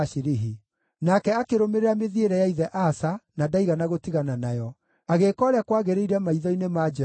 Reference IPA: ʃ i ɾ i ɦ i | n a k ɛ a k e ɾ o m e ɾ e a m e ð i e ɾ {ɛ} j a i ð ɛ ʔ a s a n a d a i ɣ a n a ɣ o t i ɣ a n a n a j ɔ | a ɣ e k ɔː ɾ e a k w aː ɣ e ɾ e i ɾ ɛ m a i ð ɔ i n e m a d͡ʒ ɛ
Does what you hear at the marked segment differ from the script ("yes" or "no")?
no